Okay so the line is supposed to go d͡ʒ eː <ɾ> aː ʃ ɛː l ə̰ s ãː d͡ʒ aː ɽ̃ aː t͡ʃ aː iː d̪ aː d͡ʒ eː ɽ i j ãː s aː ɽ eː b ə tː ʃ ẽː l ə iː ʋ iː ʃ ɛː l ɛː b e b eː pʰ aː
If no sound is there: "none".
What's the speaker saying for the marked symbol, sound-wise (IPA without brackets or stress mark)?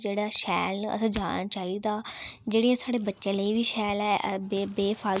ɽ